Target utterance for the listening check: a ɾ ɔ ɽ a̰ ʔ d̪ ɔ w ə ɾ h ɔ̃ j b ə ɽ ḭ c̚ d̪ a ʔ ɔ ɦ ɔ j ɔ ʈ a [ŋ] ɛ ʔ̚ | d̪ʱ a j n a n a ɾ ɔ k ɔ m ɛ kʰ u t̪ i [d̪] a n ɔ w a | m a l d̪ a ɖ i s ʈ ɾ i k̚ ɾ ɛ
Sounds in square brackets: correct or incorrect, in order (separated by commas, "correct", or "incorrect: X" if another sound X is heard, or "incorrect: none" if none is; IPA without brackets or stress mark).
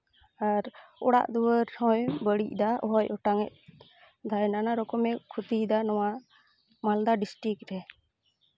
correct, correct